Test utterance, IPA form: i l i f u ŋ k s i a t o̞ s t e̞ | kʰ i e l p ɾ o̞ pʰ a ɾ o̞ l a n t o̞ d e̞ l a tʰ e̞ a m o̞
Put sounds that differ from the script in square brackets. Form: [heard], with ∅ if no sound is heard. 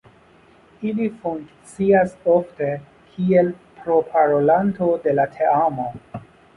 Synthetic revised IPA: i l i f u ŋ k [t͡s] i a [s] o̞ [f] t e̞ | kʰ i e l p ɾ o̞ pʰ a ɾ o̞ l a n t o̞ d e̞ l a tʰ e̞ a m o̞